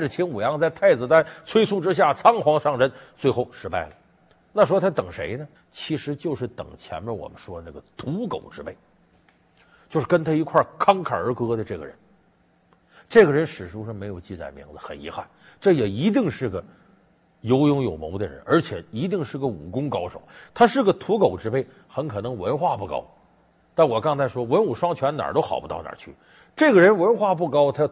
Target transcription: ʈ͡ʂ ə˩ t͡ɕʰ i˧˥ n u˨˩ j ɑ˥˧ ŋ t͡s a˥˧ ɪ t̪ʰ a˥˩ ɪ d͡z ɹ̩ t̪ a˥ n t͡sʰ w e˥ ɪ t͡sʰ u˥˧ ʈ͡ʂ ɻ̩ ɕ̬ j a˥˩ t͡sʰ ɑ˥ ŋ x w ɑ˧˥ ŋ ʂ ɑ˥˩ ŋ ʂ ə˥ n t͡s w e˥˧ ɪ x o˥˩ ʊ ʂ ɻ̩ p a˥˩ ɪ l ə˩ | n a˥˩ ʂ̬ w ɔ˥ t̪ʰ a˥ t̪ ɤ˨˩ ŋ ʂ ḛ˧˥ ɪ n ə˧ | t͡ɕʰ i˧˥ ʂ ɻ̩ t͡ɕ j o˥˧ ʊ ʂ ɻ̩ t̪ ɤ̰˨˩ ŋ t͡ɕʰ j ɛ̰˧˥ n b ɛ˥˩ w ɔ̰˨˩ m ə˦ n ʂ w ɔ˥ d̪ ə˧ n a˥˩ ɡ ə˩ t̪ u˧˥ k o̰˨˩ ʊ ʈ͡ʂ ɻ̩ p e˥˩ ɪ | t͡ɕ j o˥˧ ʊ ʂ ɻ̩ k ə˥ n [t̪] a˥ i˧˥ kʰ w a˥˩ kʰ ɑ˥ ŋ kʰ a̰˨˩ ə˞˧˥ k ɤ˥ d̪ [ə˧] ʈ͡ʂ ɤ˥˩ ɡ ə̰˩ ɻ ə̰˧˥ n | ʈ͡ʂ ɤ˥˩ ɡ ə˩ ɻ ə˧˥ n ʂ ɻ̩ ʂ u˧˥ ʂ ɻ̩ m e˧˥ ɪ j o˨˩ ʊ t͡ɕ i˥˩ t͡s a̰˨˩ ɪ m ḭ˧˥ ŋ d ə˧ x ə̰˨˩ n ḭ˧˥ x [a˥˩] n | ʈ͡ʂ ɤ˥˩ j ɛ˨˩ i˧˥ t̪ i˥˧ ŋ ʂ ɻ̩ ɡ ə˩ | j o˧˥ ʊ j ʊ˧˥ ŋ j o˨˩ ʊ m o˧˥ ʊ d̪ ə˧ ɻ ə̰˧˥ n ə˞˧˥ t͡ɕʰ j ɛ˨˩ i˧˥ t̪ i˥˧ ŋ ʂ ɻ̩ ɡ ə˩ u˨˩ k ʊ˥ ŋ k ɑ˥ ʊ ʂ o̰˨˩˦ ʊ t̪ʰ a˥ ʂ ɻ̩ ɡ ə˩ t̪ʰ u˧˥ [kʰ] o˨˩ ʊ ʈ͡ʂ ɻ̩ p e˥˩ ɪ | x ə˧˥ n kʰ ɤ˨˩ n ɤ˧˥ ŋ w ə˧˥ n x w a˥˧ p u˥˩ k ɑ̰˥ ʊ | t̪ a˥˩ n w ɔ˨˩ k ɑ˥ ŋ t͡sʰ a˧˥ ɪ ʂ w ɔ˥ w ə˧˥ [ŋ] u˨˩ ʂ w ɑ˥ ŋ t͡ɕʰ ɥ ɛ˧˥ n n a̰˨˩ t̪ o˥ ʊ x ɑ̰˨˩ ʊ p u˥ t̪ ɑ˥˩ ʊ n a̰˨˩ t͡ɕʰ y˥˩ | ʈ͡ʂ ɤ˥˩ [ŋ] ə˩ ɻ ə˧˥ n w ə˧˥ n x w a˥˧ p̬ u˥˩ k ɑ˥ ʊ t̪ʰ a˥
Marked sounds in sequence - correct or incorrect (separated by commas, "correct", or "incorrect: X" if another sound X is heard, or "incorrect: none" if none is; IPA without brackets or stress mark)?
incorrect: t̪ʰ, correct, correct, incorrect: k, incorrect: n, incorrect: ɡ